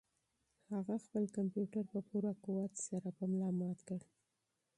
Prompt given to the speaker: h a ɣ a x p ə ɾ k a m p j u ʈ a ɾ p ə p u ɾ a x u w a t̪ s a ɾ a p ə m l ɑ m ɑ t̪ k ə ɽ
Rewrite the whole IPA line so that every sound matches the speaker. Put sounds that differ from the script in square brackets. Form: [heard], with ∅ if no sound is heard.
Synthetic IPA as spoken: h a ɣ a x p ə [l] k a m p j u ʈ a ɾ p ə p u ɾ a [k] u w a t̪ s a ɾ a p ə m l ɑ m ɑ t̪ k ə ɽ